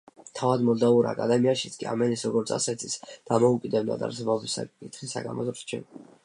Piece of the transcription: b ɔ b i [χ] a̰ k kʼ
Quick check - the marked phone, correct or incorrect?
incorrect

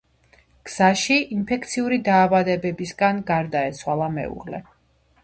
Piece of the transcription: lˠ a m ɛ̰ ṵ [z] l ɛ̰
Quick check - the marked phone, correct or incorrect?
incorrect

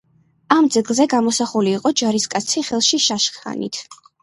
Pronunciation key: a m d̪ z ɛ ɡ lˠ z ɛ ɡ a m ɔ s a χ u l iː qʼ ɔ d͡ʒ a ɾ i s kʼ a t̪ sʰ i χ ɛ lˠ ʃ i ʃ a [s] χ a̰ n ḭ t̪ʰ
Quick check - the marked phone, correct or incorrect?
incorrect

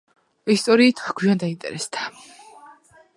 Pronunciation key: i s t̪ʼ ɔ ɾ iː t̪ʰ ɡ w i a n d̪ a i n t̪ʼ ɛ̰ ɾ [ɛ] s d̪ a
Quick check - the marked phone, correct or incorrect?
correct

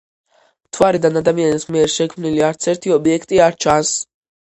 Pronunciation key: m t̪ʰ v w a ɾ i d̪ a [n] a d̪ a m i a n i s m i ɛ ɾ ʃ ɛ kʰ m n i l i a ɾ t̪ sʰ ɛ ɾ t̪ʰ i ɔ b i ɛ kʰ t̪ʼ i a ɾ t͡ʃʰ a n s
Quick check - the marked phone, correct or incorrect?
correct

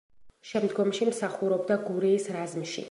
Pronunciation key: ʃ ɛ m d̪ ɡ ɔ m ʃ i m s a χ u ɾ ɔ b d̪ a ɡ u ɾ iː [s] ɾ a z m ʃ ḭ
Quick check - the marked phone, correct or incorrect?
correct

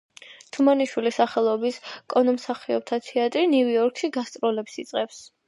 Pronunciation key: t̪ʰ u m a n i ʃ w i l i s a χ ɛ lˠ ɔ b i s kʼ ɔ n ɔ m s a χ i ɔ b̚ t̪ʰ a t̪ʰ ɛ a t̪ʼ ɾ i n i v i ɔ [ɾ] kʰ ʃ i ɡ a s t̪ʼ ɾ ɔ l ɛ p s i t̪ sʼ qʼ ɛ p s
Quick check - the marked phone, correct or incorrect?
correct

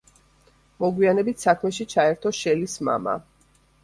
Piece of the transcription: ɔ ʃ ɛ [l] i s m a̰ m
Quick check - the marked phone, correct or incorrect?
correct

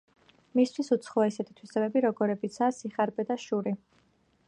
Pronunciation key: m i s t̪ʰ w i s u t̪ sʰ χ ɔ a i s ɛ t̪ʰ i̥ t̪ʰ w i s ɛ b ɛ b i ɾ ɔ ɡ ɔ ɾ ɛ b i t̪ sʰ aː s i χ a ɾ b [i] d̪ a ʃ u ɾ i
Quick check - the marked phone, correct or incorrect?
incorrect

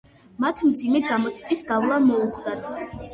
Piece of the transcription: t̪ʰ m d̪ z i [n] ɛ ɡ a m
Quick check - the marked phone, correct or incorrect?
incorrect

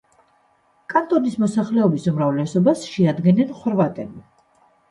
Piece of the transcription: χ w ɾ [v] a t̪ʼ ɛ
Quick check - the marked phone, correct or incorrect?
correct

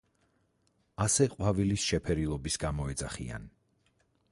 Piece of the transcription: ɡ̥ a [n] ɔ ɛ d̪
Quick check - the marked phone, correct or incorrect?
incorrect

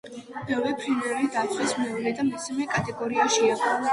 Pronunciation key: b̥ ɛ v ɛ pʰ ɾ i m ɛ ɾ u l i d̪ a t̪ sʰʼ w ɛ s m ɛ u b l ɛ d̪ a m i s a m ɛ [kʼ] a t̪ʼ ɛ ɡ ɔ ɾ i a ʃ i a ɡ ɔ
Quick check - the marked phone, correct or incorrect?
correct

